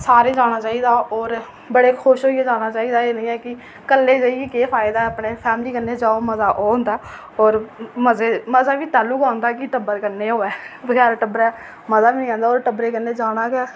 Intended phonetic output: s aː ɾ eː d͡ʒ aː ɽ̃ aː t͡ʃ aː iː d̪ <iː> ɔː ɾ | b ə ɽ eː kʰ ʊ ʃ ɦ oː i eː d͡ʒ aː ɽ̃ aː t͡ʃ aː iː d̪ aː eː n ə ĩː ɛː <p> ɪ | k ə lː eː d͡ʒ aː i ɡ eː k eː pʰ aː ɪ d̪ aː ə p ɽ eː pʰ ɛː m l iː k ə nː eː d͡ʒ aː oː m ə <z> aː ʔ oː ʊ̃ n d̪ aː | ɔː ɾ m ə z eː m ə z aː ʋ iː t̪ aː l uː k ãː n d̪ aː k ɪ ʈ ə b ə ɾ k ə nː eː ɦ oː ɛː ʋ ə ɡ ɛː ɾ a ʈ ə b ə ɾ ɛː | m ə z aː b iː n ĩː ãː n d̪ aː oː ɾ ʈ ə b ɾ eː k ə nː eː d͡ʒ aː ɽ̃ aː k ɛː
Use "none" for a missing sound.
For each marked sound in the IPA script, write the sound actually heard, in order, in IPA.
aː, k, z

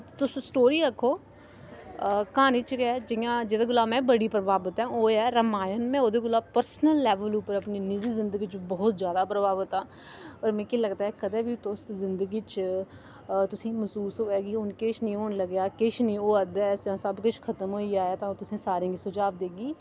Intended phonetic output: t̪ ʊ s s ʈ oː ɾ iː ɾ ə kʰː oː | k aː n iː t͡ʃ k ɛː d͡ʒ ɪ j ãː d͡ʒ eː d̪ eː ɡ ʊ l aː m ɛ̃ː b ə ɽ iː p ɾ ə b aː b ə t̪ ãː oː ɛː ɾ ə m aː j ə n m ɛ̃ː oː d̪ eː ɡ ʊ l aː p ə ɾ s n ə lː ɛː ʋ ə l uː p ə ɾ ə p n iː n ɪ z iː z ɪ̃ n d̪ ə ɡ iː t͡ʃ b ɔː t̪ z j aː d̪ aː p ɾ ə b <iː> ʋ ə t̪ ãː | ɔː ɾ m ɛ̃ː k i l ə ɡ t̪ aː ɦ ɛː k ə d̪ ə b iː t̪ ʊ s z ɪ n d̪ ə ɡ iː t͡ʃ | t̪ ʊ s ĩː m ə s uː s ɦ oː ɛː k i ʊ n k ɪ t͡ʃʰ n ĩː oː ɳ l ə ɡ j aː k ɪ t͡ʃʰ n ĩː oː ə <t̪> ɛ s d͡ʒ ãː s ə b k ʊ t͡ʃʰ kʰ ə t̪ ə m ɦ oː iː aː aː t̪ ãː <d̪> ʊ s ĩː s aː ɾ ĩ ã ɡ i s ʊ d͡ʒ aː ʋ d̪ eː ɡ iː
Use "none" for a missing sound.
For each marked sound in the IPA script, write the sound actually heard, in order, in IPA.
aː, d̪, t̪

